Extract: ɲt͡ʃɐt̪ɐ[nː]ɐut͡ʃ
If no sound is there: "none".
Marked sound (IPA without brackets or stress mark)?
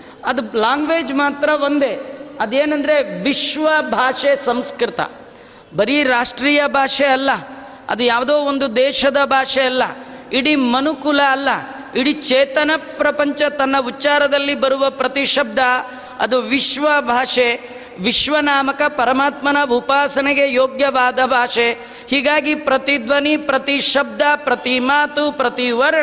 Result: nː